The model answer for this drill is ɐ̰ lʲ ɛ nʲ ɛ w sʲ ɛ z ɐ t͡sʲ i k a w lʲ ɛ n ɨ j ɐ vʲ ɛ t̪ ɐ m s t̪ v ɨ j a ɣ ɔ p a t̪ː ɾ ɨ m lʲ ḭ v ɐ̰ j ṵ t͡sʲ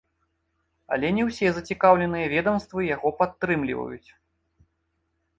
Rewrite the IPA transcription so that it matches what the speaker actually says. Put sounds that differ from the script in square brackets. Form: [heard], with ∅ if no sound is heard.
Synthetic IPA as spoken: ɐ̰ lʲ ɛ nʲ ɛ w sʲ ɛ z ɐ t͡sʲ i k a w lʲ ɛ n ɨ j ɐ vʲ ɛ [d̪] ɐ m s t̪ v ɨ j a ɣ ɔ p a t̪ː ɾ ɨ m lʲ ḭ v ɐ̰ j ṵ t͡sʲ